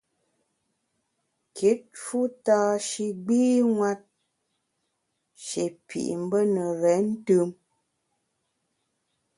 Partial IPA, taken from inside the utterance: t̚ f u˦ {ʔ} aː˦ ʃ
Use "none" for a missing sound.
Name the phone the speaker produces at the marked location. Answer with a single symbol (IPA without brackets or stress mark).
t